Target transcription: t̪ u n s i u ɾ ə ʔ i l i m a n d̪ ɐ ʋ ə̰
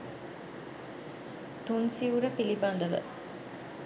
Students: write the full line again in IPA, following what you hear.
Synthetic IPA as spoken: t̪ u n s i u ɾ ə p i l i b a n d̪ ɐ ʋ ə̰